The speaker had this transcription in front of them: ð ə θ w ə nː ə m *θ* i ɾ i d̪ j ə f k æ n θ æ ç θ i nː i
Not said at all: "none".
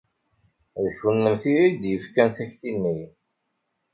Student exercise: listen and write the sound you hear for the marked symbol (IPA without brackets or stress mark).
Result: θ